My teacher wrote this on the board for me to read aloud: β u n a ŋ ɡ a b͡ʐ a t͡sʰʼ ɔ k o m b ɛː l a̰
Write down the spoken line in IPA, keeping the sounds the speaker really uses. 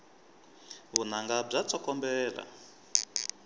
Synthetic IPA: β u n a ŋ ɡ a b͡ʐ a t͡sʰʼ ɔ k ɔ m b ɛː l a̰